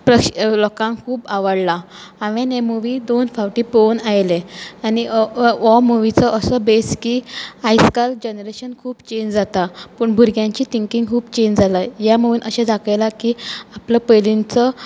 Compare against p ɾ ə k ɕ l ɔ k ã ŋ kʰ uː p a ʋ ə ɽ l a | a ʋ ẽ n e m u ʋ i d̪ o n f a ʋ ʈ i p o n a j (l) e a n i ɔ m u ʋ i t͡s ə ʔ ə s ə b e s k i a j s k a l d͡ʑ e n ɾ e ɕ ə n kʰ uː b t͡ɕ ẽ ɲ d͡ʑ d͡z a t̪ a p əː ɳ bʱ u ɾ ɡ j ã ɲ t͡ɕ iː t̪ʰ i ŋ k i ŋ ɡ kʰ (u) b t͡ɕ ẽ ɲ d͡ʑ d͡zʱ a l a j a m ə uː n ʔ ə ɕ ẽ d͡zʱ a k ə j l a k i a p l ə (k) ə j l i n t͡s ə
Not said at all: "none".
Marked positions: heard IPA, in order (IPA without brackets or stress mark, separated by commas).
l, uː, p